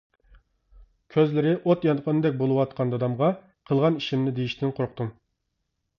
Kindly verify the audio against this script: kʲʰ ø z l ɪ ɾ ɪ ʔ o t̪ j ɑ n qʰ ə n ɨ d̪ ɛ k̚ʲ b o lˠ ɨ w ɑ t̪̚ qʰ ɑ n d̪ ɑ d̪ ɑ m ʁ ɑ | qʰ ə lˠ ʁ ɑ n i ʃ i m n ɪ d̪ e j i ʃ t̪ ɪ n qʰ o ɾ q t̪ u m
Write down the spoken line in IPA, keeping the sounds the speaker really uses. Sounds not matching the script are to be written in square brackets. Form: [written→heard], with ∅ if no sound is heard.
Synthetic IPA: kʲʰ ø z l ɪ ɾ ɪ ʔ o t̪ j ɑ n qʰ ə n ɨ d̪ ɛ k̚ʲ b o lˠ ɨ w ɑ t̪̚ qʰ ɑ n d̪ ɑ d̪ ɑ m ʁ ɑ | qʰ ə lˠ ʁ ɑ n i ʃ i m n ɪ d̪ e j i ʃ t̪ ɪ n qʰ o ɾ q t̪ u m